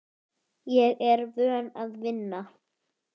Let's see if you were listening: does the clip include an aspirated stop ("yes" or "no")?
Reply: no